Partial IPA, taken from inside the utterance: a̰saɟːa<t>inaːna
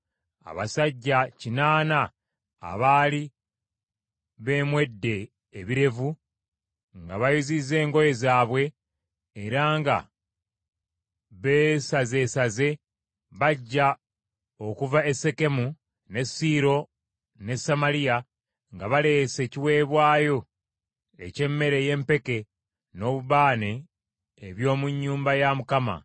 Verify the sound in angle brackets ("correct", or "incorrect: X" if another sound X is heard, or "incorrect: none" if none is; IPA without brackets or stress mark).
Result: incorrect: c